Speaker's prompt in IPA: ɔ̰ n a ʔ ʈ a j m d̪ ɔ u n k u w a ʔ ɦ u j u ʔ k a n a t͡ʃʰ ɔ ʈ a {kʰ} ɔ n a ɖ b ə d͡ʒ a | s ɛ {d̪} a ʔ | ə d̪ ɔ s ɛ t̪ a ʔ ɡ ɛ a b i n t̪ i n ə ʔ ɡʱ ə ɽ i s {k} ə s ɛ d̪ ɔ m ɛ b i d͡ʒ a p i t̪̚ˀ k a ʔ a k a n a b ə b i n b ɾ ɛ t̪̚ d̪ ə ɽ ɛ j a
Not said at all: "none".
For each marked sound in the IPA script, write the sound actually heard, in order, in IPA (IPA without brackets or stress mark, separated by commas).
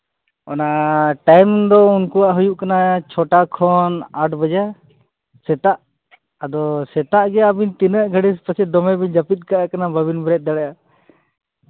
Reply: kʰ, t̪, p